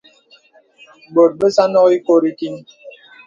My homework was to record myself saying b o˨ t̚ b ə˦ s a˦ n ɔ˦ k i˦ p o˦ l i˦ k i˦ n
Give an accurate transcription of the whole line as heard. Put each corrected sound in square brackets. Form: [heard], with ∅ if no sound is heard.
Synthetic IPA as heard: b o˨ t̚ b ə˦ s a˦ n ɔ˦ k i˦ [k] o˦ [ɾ] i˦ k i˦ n